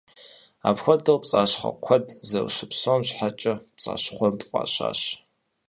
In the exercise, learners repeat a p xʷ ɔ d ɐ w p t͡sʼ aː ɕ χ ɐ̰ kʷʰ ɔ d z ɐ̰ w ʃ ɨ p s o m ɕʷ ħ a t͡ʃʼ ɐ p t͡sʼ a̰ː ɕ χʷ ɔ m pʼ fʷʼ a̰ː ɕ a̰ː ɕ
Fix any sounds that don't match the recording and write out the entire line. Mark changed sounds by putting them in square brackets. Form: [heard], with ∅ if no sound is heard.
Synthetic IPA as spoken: a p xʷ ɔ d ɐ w p t͡sʼ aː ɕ χ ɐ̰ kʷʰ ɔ d z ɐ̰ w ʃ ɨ p s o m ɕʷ ħ a t͡ʃʼ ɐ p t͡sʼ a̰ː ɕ χʷ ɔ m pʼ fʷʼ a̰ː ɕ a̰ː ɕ